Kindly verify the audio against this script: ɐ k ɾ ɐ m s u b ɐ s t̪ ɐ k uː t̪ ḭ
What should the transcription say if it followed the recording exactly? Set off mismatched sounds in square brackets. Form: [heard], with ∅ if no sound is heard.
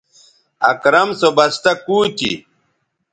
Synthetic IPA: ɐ k ɾ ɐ m s [o] b ɐ s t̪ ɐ k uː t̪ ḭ